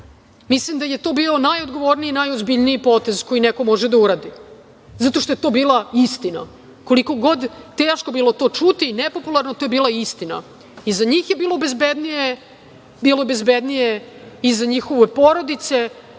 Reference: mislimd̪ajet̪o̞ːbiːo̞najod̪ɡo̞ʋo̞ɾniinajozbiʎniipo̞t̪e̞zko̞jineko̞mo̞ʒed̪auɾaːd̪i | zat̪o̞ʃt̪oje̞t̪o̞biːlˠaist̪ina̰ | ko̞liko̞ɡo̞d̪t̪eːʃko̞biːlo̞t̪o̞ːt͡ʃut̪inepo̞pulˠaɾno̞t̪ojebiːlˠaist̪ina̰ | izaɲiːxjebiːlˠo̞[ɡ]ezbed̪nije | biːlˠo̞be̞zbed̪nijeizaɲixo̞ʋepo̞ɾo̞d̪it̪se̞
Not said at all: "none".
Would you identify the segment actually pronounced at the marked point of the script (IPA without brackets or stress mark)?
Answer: b